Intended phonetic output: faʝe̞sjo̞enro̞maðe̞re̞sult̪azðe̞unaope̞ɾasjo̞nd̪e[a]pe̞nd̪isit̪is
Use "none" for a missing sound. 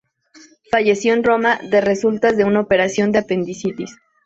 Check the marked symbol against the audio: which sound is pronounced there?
a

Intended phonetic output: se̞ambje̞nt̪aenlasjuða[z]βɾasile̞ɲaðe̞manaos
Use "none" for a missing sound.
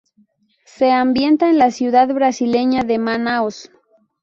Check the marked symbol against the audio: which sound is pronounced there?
ð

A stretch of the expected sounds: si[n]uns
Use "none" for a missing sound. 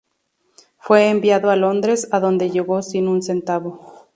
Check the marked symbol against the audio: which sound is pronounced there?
n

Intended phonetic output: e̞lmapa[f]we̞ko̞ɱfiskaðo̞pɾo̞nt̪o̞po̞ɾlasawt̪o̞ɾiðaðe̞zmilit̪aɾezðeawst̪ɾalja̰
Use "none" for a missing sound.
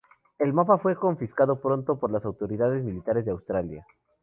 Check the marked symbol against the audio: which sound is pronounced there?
f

